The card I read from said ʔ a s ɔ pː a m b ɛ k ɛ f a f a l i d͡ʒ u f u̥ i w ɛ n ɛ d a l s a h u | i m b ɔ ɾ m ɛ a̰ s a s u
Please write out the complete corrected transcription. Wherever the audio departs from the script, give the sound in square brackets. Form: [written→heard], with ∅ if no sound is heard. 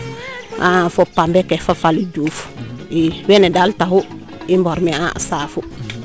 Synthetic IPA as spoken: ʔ a [s→f] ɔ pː a m b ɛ k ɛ f a f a l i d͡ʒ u f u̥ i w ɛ n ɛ d a l [s→t] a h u | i m b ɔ ɾ m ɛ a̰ s a [s→f] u